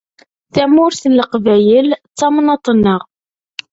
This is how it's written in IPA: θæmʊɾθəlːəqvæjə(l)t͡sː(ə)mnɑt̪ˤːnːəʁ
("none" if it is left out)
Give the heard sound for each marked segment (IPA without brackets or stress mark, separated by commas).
l, ɑ